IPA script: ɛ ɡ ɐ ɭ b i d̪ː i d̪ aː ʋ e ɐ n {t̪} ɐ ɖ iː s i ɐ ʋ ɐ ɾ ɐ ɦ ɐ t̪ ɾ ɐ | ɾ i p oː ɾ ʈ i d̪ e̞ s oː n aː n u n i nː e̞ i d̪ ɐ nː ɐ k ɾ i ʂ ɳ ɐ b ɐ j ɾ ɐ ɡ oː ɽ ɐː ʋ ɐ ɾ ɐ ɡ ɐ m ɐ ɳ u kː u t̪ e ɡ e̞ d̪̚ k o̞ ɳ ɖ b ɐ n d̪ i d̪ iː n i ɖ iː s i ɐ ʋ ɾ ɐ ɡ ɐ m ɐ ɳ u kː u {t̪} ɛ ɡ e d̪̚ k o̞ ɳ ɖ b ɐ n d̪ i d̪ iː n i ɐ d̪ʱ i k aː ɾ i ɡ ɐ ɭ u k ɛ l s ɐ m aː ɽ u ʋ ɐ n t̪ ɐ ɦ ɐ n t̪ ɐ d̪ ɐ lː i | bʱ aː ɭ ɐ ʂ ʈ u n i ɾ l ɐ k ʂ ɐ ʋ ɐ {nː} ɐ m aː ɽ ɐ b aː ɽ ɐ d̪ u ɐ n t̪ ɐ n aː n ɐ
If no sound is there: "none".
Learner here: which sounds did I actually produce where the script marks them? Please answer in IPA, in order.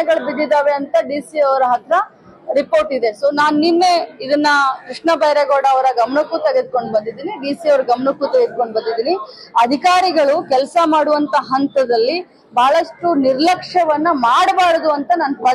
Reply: t̪, t̪, nː

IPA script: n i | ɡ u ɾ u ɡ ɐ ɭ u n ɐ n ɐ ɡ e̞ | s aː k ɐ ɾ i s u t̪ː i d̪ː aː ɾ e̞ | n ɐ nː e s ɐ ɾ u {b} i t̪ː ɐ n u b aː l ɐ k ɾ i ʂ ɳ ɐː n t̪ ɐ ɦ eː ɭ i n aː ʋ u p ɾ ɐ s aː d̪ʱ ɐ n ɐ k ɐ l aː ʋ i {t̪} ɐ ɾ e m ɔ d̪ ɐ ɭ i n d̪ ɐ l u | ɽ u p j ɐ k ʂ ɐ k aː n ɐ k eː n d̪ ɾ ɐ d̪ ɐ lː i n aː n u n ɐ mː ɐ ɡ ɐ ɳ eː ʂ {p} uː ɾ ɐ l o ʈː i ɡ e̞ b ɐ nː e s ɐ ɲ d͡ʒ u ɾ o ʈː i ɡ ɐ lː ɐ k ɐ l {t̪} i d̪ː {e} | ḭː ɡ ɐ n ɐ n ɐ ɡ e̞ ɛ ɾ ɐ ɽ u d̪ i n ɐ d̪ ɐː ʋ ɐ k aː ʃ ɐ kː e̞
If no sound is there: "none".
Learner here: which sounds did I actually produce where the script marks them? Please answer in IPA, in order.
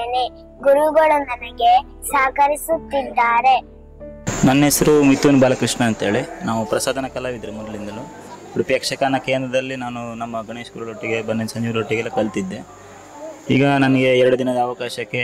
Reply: m, d̪, k, t̪, e

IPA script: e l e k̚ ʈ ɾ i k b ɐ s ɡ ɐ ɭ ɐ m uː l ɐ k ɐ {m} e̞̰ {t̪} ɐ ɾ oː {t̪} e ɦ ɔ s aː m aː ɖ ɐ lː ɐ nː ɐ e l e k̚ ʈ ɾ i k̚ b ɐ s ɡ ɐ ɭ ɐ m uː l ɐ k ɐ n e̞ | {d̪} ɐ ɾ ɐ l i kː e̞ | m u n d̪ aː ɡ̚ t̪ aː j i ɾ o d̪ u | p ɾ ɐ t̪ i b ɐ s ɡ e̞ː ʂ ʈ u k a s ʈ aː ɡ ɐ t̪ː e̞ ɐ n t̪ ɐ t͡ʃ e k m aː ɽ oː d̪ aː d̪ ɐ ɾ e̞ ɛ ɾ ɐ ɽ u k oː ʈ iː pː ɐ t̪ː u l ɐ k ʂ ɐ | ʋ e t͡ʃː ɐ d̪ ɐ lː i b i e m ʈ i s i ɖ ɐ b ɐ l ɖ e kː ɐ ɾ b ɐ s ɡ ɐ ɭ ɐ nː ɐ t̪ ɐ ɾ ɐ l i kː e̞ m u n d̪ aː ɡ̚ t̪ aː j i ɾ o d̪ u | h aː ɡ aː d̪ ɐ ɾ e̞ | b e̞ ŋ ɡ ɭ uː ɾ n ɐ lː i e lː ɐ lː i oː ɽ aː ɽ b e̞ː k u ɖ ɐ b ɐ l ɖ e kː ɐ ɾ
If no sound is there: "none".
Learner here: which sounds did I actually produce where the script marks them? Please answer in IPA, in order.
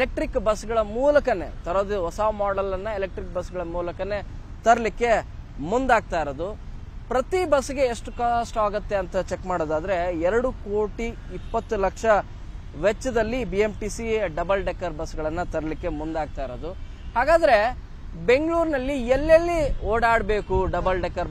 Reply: n, t̪, d̪, t̪

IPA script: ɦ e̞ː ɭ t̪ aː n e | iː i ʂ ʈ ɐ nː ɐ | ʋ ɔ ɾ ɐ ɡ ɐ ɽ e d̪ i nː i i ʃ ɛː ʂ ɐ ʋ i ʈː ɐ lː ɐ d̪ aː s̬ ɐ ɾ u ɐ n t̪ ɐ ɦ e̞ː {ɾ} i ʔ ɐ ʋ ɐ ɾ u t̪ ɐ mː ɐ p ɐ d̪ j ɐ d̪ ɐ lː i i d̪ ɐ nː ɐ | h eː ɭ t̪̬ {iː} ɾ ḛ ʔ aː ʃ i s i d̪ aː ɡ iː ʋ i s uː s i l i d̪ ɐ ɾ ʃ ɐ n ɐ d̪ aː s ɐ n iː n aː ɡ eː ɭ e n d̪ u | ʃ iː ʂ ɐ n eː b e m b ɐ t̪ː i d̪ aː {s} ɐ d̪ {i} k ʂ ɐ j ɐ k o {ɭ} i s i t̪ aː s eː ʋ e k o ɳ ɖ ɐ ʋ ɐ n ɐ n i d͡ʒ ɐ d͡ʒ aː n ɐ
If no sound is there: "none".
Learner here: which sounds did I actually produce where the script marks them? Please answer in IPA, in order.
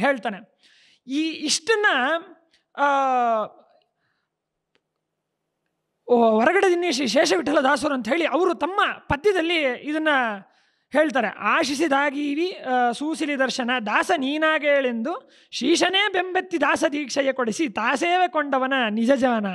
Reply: ɭ, aː, s, iː, ɽ

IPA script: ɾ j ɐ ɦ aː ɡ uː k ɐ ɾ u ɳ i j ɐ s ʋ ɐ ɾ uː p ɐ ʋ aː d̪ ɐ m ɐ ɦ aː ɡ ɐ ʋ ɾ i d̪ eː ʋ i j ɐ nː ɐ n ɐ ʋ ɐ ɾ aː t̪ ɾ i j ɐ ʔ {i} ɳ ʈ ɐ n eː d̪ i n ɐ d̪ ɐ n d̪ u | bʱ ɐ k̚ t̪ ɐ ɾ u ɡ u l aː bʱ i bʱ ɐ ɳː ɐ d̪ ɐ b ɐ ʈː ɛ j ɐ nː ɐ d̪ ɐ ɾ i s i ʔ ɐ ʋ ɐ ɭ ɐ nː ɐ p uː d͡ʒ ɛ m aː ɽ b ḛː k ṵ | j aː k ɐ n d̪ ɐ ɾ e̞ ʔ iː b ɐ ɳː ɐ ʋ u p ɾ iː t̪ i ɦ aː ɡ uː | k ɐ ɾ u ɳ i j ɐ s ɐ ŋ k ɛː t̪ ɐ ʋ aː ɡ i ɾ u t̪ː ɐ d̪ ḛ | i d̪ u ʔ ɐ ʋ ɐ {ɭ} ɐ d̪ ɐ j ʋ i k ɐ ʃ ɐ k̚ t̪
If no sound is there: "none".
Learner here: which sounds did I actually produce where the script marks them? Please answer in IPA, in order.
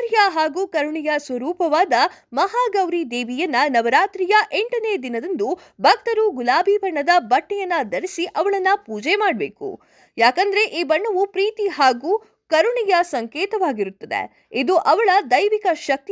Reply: e, ɭ

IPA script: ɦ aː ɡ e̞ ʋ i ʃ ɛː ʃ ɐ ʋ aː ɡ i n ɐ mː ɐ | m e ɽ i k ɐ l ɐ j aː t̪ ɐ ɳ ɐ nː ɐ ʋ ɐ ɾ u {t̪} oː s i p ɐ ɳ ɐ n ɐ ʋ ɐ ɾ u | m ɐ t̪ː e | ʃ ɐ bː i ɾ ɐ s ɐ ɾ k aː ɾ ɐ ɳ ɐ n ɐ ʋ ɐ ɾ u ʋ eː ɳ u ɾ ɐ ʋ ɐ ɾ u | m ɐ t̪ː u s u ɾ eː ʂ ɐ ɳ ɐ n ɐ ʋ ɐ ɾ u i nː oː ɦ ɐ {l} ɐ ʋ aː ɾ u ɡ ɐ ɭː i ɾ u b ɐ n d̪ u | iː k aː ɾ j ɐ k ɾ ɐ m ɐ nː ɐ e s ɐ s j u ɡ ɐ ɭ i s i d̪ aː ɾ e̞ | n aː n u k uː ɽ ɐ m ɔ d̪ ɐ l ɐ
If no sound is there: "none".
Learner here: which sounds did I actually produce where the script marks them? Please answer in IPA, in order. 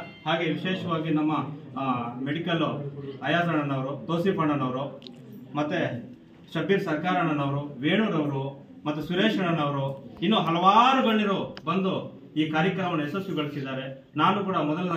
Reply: t̪, l

